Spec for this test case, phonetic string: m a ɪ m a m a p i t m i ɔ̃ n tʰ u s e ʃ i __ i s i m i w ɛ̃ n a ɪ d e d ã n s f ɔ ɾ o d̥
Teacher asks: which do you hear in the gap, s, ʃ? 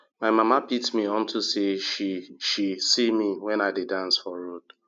ʃ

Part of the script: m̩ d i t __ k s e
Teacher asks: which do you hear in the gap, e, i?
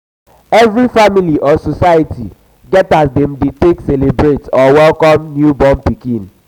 e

